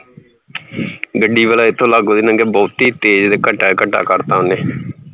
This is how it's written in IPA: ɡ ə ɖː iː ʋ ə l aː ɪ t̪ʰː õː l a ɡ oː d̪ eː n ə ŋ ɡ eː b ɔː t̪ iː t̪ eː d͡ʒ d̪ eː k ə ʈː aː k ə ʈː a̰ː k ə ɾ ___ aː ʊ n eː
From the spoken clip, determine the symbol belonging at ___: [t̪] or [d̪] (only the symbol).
t̪